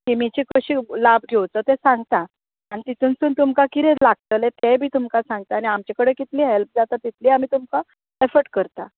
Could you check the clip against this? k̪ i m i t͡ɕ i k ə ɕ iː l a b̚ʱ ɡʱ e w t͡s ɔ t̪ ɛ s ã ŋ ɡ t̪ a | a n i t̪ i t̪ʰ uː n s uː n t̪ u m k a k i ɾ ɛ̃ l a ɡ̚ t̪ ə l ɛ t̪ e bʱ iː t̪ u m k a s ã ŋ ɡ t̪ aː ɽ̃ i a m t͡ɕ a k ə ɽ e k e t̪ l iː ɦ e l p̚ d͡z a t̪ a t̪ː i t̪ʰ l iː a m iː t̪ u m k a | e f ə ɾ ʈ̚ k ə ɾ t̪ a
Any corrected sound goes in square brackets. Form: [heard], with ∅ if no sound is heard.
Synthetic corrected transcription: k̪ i m i t͡ɕ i k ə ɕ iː l a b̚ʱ ɡʱ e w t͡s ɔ t̪ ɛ s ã ŋ ɡ t̪ a | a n i t̪ i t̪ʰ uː n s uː n t̪ u m k a k i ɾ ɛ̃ l a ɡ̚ t̪ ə l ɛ t̪ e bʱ iː t̪ u m k a s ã ŋ ɡ t̪ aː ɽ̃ i a m t͡ɕ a k ə ɽ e k [i] t̪ l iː ɦ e l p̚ d͡z a t̪ a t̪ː i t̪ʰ l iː a m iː t̪ u m k a | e f ə ɾ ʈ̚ k ə ɾ t̪ a